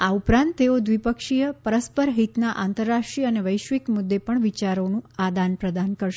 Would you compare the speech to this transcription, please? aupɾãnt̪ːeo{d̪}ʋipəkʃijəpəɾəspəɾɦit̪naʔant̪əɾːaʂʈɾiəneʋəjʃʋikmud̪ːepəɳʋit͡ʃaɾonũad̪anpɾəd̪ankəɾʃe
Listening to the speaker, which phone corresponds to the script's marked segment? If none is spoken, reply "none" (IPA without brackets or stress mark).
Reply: d̪